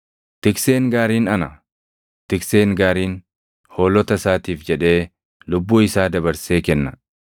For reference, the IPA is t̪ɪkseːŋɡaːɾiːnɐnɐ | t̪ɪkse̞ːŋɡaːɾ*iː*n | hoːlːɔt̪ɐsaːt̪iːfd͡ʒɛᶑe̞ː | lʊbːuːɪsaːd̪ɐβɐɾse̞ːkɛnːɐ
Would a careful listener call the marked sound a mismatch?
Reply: no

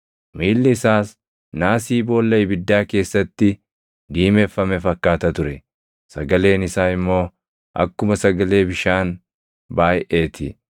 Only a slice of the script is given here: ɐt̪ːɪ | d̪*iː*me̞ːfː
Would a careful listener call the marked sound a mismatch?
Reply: no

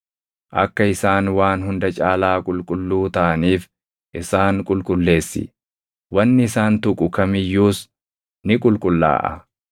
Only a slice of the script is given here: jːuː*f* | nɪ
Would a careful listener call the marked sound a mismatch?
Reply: yes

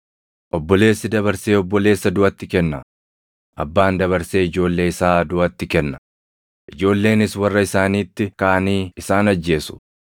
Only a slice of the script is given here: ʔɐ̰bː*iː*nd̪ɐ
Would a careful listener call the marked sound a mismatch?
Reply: yes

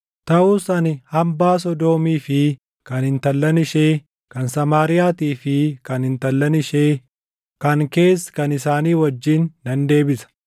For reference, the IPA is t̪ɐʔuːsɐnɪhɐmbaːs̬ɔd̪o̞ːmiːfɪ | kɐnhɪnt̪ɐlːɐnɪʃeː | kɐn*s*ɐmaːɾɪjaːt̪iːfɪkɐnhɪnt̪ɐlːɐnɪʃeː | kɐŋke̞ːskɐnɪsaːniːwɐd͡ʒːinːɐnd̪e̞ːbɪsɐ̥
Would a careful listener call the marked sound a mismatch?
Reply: no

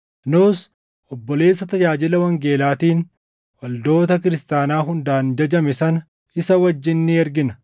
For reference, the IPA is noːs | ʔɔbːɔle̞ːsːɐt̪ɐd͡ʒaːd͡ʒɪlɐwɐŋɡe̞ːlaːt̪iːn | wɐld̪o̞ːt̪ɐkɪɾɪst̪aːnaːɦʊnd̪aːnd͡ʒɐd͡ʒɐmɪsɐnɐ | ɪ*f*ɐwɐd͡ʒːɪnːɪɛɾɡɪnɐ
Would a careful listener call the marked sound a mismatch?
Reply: yes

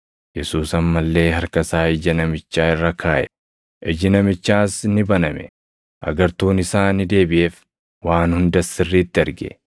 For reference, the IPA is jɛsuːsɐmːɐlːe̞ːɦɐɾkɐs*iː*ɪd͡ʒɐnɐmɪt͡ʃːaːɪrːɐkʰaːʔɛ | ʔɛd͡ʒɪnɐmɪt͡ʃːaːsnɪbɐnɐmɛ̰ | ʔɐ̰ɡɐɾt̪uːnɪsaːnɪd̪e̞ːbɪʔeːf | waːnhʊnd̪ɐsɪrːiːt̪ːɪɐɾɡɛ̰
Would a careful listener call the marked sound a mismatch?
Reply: yes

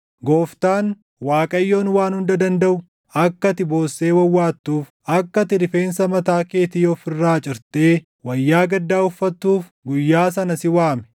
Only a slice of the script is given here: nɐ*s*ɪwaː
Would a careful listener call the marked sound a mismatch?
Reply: no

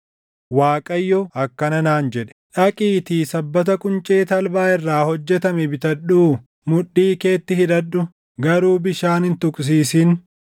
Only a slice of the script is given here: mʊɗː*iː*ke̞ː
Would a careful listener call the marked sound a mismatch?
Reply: no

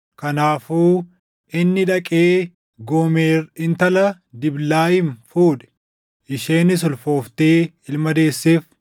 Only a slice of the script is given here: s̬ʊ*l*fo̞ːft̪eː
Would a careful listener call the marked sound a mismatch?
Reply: no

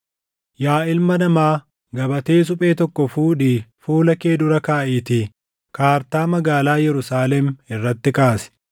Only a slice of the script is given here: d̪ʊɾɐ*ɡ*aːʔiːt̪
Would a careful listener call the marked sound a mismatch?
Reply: yes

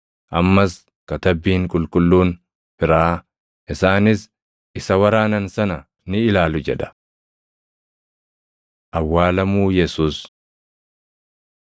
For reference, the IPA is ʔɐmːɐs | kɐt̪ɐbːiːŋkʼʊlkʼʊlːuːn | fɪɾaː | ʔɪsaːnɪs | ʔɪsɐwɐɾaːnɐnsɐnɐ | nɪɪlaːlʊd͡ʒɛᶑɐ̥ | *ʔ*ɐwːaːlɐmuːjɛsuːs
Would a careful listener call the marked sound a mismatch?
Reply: no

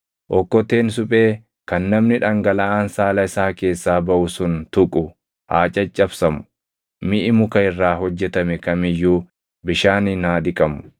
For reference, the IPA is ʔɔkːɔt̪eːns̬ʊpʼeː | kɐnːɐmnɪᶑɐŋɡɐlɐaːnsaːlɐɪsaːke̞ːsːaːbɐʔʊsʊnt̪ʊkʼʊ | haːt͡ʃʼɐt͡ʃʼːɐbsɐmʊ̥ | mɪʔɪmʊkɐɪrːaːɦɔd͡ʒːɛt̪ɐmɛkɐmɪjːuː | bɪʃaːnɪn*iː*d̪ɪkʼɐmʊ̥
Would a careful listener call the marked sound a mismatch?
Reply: yes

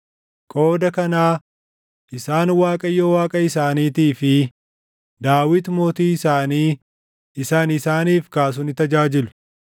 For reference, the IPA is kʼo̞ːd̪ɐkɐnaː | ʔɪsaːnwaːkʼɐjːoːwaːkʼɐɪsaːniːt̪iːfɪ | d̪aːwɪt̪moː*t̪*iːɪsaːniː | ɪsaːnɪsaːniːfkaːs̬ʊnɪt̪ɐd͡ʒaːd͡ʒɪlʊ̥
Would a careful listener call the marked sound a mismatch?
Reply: no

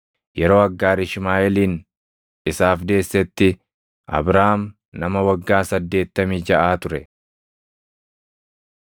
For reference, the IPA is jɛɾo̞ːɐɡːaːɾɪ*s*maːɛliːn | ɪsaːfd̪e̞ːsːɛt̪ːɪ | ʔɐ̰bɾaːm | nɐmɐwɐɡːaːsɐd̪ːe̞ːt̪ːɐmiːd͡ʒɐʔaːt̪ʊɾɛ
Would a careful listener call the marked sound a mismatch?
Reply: yes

